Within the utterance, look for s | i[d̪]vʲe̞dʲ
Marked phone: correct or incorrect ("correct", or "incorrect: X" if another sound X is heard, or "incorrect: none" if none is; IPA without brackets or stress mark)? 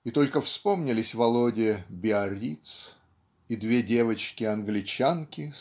correct